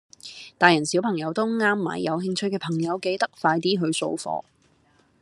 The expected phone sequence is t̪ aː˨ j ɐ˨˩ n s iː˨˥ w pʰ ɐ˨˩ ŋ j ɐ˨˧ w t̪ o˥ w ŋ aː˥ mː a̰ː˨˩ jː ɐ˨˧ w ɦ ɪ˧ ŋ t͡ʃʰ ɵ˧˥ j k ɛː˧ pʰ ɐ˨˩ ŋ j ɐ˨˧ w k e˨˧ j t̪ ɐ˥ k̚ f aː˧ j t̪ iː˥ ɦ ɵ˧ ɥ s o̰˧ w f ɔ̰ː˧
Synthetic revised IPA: t̪ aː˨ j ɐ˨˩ n s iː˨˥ w pʰ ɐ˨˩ ŋ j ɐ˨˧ w t̪ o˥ w ŋ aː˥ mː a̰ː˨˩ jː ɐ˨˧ w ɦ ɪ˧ ŋ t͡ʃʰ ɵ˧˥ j k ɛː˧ pʰ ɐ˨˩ ŋ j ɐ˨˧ w k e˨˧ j t̪ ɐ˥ k̚ f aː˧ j t̪ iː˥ ɦ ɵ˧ ɥ s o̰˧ w f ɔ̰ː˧